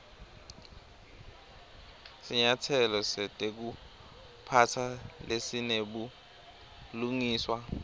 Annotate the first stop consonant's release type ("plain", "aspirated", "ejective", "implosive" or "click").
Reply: aspirated